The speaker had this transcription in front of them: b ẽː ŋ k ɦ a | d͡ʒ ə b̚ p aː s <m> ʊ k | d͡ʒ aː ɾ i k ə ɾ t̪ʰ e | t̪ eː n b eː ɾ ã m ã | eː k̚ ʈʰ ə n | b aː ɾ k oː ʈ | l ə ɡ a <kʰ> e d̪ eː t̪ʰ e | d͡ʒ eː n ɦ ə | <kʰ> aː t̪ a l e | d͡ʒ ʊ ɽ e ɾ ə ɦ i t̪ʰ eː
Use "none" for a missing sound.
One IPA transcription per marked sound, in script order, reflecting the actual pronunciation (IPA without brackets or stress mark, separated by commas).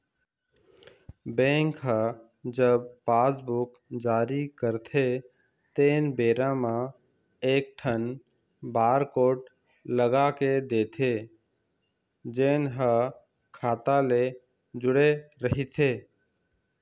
b, k, kʰ